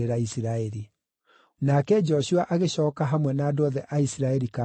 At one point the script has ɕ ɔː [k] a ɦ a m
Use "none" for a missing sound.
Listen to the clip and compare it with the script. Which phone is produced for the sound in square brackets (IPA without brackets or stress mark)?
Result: k